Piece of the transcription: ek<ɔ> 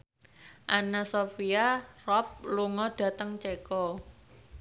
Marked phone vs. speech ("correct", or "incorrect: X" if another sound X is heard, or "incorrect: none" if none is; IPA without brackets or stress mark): correct